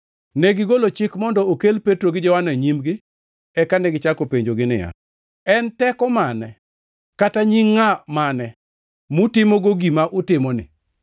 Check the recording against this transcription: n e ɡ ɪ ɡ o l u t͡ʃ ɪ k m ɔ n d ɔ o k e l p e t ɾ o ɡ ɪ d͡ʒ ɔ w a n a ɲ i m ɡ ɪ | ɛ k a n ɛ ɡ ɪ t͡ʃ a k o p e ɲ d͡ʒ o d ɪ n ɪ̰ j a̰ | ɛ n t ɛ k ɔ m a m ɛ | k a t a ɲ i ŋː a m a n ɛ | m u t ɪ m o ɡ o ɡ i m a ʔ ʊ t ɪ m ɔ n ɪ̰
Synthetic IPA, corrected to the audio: n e ɡ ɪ ɡ o l o t͡ʃ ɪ k m ɔ n d ɔ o k e l p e t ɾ o ɡ ɪ d͡ʒ ɔ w a n a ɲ i m ɡ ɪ | ɛ k a n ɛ ɡ ɪ t͡ʃ a k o p e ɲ d͡ʒ o ɡ ɪ n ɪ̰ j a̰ | ɛ n t ɛ k ɔ m a n ɛ | k a t a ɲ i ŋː a m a n ɛ | m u t ɪ m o ɡ o ɡ i m a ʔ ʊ t ɪ m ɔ n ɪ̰